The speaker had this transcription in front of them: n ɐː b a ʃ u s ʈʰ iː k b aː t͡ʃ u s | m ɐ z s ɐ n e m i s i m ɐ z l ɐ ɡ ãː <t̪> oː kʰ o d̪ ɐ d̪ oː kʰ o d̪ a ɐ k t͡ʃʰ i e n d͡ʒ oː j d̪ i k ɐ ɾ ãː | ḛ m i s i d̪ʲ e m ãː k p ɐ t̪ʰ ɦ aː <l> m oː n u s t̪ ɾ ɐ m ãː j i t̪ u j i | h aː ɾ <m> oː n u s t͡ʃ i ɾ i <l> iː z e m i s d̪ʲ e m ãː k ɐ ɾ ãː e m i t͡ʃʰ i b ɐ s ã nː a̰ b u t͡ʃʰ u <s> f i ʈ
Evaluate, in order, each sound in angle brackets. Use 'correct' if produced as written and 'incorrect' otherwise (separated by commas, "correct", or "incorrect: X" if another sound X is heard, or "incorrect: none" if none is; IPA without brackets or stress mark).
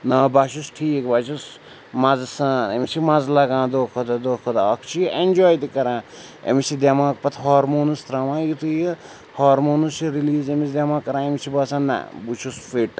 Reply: incorrect: d̪, incorrect: ɾ, correct, correct, correct